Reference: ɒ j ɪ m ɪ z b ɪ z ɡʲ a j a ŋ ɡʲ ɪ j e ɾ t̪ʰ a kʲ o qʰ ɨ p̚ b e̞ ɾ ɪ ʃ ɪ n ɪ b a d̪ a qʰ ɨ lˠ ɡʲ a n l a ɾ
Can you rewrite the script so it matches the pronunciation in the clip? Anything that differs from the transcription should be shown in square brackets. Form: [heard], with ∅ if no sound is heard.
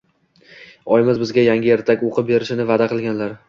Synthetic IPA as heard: ɒ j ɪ m ɪ z b ɪ z ɡʲ a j a ŋ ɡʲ ɪ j e ɾ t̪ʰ a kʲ o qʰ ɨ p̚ b e̞ ɾ ɪ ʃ ɪ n ɪ [v] a d̪ a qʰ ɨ lˠ ɡʲ a n l a ɾ